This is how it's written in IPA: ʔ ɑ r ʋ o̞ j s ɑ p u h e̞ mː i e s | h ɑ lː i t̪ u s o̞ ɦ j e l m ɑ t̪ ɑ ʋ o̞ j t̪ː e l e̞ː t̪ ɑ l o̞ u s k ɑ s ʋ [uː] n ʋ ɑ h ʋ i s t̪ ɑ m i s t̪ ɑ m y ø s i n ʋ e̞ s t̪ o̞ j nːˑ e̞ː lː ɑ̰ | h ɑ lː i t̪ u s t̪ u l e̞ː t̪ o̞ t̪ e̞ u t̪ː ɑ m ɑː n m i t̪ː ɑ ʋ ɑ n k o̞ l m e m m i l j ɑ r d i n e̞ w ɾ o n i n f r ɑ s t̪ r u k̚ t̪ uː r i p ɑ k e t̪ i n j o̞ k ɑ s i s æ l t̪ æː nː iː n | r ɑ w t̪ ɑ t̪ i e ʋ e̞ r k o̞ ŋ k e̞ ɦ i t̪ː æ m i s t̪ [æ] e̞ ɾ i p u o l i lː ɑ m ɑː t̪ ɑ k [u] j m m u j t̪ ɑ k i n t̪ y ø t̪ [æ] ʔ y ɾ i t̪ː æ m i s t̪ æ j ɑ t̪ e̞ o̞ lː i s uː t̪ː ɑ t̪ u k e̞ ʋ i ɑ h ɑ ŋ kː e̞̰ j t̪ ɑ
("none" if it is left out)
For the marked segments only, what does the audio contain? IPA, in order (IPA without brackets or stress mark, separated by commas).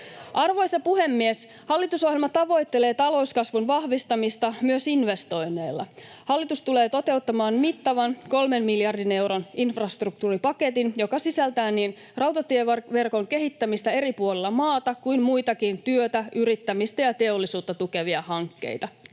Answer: u, æ, u, æ